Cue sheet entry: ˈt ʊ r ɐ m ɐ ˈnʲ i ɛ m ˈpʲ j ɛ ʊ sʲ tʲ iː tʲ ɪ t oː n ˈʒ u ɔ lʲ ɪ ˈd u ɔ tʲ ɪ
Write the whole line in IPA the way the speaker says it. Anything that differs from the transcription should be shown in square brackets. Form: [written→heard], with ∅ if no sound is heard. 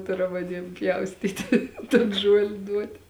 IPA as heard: ˈt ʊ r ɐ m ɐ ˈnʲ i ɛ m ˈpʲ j ɛ ʊ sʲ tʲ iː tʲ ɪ t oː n ˈʒ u ɔ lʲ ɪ ˈd u ɔ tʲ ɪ